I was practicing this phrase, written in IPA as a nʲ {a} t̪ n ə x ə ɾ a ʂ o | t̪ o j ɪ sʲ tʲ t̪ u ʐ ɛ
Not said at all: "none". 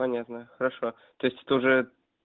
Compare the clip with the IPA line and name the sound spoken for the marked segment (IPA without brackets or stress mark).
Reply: a